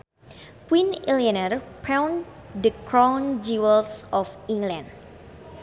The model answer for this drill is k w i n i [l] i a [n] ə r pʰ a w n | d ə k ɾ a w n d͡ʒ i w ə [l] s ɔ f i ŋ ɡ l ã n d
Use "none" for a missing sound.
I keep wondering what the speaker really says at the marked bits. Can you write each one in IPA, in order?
l, n, l

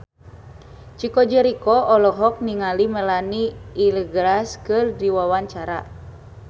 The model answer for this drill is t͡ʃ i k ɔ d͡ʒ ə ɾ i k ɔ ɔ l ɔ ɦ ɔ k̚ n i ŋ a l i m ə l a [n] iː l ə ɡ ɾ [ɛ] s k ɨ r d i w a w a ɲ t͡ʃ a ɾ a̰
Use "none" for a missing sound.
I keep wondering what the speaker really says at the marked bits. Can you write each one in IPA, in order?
n, a

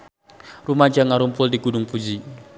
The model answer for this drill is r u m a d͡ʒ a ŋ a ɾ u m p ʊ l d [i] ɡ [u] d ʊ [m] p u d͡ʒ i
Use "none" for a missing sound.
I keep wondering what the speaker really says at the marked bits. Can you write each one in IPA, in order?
i, u, ŋ

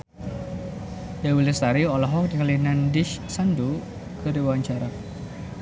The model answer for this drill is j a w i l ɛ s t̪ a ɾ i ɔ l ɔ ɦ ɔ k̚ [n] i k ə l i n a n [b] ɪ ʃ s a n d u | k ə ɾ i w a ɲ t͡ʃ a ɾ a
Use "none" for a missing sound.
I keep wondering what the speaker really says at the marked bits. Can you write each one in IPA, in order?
d, d

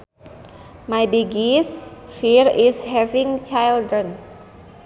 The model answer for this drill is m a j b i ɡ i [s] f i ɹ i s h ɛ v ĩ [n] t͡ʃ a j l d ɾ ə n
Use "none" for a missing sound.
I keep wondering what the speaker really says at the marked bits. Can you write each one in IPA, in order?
s, ŋ

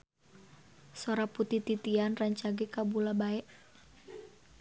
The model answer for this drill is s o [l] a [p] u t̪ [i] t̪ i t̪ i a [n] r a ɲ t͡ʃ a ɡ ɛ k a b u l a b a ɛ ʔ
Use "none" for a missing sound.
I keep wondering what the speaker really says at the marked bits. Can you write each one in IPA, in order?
ɾ, p, i, n

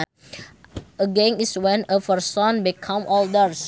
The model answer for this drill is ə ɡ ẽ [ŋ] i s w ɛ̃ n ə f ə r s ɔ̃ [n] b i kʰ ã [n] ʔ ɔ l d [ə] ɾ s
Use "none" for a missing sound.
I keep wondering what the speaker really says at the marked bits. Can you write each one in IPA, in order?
ŋ, n, m, ə

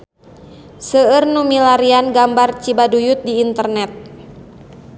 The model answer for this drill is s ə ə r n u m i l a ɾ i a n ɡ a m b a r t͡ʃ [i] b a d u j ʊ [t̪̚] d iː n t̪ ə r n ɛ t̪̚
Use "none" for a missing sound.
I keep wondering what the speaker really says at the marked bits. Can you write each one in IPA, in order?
i, t̪̚

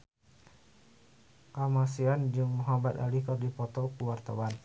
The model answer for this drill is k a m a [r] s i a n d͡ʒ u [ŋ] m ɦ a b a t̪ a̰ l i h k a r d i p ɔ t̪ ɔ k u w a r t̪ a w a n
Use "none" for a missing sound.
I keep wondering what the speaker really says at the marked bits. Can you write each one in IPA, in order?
none, ŋ

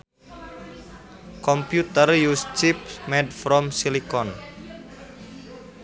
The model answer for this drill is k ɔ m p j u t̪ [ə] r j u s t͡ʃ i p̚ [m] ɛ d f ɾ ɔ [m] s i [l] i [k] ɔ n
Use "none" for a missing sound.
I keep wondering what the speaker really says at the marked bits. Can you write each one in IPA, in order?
ə, m, m, l, k

